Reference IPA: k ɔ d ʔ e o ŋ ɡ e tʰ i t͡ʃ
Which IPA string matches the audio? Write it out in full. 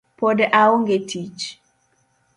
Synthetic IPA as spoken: p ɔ d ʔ a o ŋ ɡ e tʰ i t͡ʃ

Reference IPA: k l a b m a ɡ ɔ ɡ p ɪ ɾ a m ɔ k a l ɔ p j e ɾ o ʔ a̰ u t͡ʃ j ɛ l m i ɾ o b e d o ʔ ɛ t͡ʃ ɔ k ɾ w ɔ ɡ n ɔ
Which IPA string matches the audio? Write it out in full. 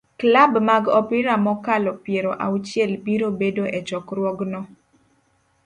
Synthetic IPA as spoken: k l a b m a ɡ ɔ p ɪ ɾ a m ɔ k a l ɔ p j e ɾ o ʔ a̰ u t͡ʃ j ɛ l b i ɾ o b e d o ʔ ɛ t͡ʃ ɔ k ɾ w ɔ ɡ n ɔ

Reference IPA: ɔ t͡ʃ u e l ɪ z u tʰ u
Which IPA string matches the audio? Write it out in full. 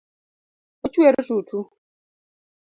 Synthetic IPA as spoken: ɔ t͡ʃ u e ɾ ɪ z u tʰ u

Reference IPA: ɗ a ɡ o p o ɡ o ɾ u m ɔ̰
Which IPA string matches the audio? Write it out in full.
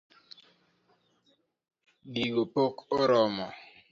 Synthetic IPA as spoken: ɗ i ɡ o p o k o ɾ ɔ m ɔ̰

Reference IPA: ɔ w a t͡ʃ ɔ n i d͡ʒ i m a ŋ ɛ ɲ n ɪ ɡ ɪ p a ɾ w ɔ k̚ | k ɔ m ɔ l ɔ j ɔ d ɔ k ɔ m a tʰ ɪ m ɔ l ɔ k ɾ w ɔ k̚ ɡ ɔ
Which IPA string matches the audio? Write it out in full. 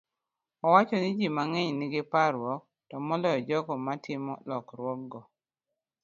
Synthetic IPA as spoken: ɔ w a t͡ʃ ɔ n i d͡ʒ i m a ŋ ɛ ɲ n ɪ ɡ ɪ p a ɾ w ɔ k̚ | t ɔ m ɔ l ɔ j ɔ d͡ʒ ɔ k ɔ m a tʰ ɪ m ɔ l ɔ k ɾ w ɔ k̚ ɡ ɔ

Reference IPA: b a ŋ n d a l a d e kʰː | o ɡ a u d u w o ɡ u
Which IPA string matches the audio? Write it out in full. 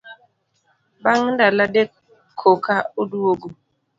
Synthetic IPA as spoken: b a ŋ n d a l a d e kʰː | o k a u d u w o ɡ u

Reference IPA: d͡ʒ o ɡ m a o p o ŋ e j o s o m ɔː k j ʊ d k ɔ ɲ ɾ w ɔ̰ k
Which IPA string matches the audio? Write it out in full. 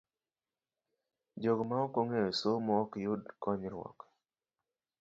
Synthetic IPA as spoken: d͡ʒ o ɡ m a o k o ŋ e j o s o m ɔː k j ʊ d k ɔ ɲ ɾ w ɔ̰ k

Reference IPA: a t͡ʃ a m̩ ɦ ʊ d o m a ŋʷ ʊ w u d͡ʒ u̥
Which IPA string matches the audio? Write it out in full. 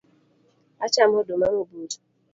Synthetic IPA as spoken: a t͡ʃ a m̩ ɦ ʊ d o m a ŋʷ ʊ b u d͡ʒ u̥

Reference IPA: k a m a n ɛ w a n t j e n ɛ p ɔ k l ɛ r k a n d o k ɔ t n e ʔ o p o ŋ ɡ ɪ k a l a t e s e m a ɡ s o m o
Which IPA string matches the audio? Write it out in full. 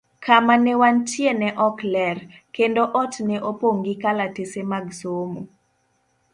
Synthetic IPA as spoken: k a m a n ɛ w a n t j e n ɛ ʔ ɔ k l ɛ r k e n d o ʔ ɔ t n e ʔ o p o ŋ ɡ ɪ k a l a t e s e m a ɡ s o m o

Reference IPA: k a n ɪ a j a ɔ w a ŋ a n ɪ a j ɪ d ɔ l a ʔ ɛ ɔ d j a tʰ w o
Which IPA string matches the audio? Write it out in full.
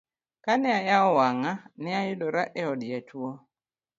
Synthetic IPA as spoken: k a n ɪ a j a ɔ w a ŋ a n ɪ a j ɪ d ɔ ɾ a ʔ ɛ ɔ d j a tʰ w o

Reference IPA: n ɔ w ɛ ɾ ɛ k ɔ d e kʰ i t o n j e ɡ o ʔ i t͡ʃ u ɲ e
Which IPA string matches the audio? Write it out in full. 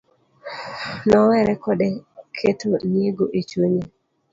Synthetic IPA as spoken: n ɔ w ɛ ɾ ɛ k ɔ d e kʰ e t o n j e ɡ o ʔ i t͡ʃ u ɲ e

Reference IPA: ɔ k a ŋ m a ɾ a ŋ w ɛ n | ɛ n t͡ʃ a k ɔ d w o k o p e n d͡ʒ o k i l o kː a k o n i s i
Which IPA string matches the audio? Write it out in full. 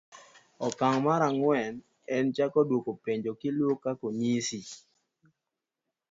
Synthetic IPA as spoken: ɔ k a ŋ m a ɾ a ŋ w ɛ n | ɛ n t͡ʃ a k ɔ d w o k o p e ɲ d͡ʒ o k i l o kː a k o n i s i

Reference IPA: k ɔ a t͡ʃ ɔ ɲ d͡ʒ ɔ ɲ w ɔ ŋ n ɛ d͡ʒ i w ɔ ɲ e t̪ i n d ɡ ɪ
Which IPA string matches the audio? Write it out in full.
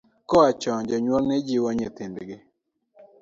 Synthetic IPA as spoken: k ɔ a t͡ʃ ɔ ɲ d͡ʒ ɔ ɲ w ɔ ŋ n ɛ d͡ʒ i w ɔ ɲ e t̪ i n d ɡ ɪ

